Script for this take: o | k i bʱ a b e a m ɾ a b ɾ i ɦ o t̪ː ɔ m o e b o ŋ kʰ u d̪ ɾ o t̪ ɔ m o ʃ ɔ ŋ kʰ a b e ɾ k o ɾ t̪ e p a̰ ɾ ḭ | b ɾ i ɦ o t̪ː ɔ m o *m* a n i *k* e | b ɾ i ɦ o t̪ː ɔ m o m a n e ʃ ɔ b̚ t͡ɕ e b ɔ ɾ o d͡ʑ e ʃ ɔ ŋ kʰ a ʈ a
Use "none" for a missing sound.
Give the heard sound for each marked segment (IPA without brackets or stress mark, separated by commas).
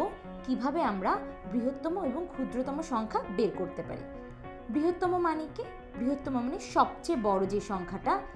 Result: m, k